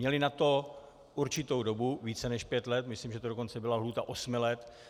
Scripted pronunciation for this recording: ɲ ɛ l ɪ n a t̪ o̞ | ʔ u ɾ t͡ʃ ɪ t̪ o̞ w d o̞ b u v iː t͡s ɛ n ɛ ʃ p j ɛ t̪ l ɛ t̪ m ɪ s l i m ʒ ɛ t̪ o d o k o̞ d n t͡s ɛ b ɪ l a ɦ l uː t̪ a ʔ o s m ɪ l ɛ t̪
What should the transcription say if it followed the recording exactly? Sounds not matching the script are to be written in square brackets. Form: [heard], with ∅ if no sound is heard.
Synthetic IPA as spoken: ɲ ɛ l ɪ n a t̪ o̞ | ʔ u ɾ t͡ʃ ɪ t̪ o̞ w d o̞ b u v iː t͡s ɛ n ɛ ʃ p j ɛ t̪ l ɛ t̪ m ɪ s l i m ʒ ɛ t̪ o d o k o̞ [∅] n t͡s ɛ b ɪ l a ɦ l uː t̪ a ʔ o s m ɪ l ɛ t̪